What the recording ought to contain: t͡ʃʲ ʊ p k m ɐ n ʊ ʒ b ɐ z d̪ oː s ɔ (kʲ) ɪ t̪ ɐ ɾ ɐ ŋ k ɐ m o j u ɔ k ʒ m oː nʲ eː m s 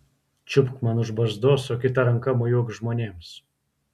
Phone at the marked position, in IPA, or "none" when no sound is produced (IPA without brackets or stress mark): kʲ